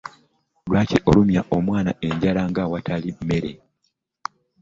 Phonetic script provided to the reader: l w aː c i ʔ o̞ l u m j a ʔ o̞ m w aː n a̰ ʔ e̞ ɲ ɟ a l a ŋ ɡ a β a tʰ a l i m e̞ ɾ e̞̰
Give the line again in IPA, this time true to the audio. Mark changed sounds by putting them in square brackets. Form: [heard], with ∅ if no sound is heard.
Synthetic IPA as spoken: l w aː c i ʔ o̞ l u m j a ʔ o̞ m w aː n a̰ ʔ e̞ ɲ ɟ a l a ŋ ɡ a [w] a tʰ a l i m e̞ ɾ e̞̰